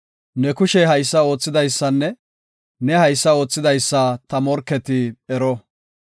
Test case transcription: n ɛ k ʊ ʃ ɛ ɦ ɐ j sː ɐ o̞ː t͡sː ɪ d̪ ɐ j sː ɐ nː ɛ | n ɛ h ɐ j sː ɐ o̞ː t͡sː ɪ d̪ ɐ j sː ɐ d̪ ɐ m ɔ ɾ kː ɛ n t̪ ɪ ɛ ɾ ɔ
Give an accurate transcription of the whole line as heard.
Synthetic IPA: n ɛ k ʊ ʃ ɛ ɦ ɐ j sː ɐ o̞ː t͡sː ɪ d̪ ɐ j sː ɐ nː ɛ | n ɛ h ɐ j sː ɐ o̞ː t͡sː ɪ d̪ ɐ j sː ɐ t̪ ɐ m ɔ ɾ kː ɛ t̪ ɪ ɛ ɾ ɔ